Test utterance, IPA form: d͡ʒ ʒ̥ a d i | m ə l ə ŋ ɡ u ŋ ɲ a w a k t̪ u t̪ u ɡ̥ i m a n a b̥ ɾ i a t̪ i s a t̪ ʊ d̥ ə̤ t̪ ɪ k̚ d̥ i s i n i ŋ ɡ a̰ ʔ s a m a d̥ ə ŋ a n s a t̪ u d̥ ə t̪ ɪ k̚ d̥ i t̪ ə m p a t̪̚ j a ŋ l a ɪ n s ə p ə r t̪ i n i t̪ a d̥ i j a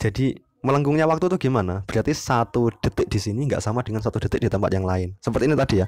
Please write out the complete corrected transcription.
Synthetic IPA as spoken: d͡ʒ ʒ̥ a d i | m ə l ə ŋ ɡ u ŋ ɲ a w a k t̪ u t̪ u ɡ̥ i m a n a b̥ ɾ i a t̪ i s a t̪ u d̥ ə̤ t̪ ɪ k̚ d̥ i s i n i ŋ ɡ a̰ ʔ s a m a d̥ ə ŋ a n s a t̪ u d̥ ə t̪ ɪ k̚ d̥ i t̪ ə m p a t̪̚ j a ŋ l a ɪ n s ə p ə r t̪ i n i t̪ a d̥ i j a